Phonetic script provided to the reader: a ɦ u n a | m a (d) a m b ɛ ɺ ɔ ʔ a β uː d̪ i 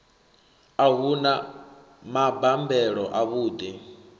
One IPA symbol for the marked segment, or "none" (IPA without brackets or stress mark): b